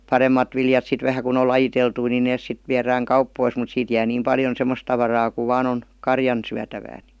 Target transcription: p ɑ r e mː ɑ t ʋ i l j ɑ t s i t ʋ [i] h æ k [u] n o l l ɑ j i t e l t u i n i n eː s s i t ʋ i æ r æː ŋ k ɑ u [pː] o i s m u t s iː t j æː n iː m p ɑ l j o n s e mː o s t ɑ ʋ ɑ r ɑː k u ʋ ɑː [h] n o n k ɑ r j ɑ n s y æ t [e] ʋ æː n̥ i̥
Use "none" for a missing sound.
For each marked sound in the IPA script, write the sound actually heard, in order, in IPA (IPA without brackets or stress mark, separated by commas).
æ, u, pː, none, æ